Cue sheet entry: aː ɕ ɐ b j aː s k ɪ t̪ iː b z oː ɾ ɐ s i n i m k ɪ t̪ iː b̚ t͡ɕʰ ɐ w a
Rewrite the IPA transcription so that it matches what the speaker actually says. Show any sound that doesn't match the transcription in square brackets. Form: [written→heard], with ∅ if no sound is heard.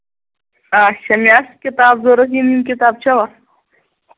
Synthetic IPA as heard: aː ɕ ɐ [b→m] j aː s k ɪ t̪ [iː→aː] b z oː ɾ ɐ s i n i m k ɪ t̪ [iː→aː] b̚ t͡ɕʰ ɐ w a